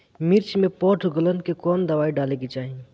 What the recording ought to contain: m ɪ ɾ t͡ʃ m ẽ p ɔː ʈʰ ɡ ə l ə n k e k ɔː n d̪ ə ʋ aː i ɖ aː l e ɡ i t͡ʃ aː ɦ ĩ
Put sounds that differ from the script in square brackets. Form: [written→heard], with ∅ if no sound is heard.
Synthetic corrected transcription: m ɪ ɾ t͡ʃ m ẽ p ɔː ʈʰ ɡ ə l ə n k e k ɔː n d̪ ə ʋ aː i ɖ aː l e ɡ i t͡ʃ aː ɦ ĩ

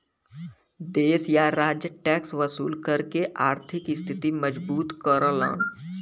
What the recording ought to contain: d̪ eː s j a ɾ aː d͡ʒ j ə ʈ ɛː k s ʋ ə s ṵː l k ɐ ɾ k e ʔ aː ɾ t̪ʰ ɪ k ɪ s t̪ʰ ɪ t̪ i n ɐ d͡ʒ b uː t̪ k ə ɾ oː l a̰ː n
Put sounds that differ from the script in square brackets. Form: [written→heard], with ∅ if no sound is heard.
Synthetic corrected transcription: d̪ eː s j a ɾ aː d͡ʒ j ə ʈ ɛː k s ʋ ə s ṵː l k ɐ ɾ k e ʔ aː ɾ t̪ʰ ɪ k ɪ s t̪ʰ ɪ t̪ i [n→m] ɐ d͡ʒ b uː t̪ k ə ɾ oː l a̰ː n

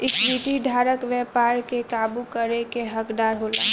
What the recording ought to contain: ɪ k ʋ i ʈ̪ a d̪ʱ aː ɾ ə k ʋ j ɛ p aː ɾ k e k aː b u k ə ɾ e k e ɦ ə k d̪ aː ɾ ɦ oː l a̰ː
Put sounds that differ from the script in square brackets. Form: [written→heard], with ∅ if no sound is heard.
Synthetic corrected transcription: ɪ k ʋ i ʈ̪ [a→i] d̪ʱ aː ɾ ə k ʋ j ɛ p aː ɾ k e k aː b u k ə ɾ e k e ɦ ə k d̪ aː ɾ ɦ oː l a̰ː

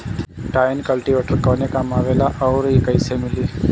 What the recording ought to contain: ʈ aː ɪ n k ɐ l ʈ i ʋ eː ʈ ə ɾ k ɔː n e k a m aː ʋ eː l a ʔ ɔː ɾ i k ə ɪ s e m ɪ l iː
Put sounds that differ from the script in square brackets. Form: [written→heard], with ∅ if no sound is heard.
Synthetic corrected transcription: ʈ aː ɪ n k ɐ l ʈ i ʋ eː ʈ ə ɾ k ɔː n e k a m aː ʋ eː l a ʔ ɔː ɾ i k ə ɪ s e m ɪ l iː

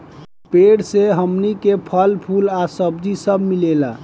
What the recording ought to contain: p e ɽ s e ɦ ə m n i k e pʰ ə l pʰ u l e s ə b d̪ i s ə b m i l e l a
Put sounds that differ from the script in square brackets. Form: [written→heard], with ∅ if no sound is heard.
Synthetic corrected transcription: p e ɽ s e ɦ ə m n i k e pʰ ə l pʰ u l [e→a] s ə b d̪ i s ə b m i l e l a

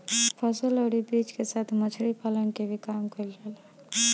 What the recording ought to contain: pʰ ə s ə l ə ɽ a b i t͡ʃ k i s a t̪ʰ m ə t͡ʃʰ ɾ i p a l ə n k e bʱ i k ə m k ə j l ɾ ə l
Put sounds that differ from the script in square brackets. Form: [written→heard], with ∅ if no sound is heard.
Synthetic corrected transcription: pʰ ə s ə l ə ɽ [a→i] b i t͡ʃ k [i→e] s a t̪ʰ m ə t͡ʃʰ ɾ i p a l ə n k e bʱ i k [ə→a] m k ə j l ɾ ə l

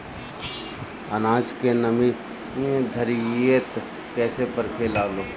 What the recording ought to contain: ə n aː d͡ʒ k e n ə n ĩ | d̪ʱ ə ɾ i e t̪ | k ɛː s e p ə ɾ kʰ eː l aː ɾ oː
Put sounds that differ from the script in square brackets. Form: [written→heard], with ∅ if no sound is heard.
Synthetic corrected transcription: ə n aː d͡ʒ k e n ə [n→m] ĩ | d̪ʱ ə ɾ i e t̪ | k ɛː s e p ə ɾ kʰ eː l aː [ɾ→l] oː

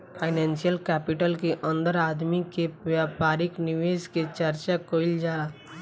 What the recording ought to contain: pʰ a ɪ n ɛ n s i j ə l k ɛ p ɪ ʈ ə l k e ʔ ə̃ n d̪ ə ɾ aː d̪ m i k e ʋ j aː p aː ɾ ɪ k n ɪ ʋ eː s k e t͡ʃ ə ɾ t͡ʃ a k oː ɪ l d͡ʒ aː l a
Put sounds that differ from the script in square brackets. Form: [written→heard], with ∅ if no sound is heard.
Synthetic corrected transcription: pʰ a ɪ n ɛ n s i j ə l k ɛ p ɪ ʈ ə l k e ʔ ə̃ n d̪ ə ɾ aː d̪ m i k e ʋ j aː p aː ɾ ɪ k n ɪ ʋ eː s k e t͡ʃ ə ɾ t͡ʃ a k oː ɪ l d͡ʒ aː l a

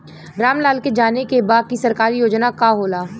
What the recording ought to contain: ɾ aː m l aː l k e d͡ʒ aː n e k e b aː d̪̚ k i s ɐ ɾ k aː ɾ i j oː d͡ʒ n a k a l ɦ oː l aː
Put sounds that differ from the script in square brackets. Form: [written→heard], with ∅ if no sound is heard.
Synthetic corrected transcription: ɾ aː m l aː l k e d͡ʒ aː n e k e b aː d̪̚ k i s ɐ ɾ k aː ɾ i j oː d͡ʒ n a k a [l→∅] ɦ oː l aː

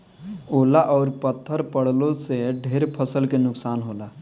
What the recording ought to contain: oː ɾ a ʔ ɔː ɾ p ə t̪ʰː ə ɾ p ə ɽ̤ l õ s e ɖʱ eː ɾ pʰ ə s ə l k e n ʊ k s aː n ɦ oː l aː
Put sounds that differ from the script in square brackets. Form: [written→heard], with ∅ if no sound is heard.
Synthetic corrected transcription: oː [ɾ→l] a ʔ ɔː ɾ p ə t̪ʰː ə ɾ p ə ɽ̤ l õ s e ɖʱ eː ɾ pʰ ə s ə l k e n ʊ k s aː n ɦ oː l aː

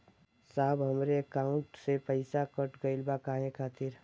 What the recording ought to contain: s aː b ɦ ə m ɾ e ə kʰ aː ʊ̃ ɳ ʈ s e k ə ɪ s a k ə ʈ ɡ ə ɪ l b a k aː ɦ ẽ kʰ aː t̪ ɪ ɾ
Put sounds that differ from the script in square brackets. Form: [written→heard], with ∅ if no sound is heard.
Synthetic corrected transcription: s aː b ɦ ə m ɾ e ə [kʰ→k] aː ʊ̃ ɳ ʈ s e [k→p] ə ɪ s a k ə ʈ ɡ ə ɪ l b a k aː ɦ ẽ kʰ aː t̪ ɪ ɾ

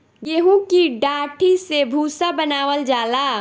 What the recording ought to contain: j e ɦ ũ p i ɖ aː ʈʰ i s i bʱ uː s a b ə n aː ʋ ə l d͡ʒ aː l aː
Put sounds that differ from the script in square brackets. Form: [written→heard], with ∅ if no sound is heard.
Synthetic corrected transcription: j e ɦ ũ [p→k] i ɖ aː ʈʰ i s [i→e] bʱ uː s a b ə n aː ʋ ə l d͡ʒ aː l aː

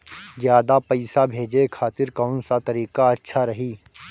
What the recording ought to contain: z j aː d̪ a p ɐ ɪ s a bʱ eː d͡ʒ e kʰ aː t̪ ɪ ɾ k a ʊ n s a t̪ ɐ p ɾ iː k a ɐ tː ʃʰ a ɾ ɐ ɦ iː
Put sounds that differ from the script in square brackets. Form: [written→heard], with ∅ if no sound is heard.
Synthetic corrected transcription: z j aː d̪ a p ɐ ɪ s a bʱ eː d͡ʒ e kʰ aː t̪ ɪ ɾ k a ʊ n s a t̪ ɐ [p→∅] ɾ iː k a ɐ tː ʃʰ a ɾ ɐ ɦ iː

